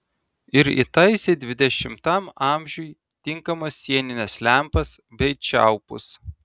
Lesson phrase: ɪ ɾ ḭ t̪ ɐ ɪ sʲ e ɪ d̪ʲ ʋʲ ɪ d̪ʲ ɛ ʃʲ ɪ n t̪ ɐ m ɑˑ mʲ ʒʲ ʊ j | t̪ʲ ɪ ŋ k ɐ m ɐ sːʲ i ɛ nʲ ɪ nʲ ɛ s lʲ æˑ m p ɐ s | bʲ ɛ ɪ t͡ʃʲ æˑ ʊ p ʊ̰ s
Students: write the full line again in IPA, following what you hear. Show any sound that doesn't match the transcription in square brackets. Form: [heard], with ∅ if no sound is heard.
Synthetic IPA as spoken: ɪ ɾ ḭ t̪ ɐ ɪ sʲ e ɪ d̪ʲ ʋʲ ɪ d̪ʲ ɛ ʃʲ ɪ [m] t̪ ɐ m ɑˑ mʲ ʒʲ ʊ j | t̪ʲ ɪ ŋ k ɐ m ɐ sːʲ i ɛ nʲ ɪ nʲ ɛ s lʲ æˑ m p ɐ s | bʲ ɛ ɪ t͡ʃʲ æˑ ʊ p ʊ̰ s